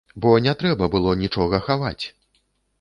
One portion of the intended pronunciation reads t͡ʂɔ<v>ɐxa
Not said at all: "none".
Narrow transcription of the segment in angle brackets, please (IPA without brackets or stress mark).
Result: ɣ